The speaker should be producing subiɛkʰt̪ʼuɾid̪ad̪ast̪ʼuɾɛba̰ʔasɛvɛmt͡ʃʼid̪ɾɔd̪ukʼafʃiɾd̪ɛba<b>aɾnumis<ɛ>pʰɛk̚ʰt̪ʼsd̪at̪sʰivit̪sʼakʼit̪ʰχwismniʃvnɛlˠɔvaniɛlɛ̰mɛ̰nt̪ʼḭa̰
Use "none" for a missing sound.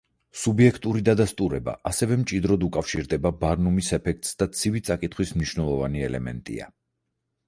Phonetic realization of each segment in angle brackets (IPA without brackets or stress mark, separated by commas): b, ɛ